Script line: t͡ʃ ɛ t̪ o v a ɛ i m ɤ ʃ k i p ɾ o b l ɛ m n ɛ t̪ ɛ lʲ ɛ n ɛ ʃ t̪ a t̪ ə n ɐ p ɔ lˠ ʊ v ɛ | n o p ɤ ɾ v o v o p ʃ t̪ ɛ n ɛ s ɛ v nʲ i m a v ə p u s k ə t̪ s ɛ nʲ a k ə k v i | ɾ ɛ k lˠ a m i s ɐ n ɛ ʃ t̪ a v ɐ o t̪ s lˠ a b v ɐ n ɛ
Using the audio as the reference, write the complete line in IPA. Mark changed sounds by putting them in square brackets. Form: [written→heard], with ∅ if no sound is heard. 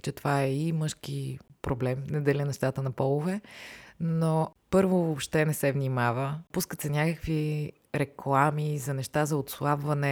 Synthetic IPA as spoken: t͡ʃ ɛ t̪ o v a ɛ i m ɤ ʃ k i p ɾ o b l ɛ m n ɛ [t̪→d̪] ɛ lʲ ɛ n ɛ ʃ t̪ a t̪ ə n ɐ p ɔ lˠ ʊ v ɛ | n o p ɤ ɾ v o v o p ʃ t̪ ɛ n ɛ s ɛ v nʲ i m a v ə p u s k ə t̪ s ɛ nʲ a k ə k v i | ɾ ɛ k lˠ a m i [s→z] ɐ n ɛ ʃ t̪ a [v→z] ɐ o t̪ s lˠ a b v ɐ n ɛ